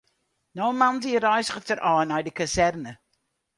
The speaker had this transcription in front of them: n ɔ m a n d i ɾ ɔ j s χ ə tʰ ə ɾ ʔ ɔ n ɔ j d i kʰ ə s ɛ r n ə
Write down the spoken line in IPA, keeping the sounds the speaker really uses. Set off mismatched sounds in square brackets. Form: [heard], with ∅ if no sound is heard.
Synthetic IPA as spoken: n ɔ m a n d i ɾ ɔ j s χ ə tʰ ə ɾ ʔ ɔ n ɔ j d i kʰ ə s ɛ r n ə